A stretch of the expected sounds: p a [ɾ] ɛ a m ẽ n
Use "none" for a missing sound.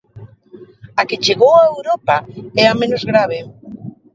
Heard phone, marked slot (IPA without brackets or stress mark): none